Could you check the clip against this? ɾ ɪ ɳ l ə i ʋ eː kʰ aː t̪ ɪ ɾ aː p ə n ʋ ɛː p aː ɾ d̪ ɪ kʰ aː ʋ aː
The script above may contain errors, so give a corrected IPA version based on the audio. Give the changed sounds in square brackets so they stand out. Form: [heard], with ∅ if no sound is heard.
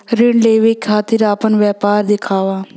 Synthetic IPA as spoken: ɾ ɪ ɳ l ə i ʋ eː kʰ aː t̪ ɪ ɾ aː p ə n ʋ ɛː p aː ɾ d̪ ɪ kʰ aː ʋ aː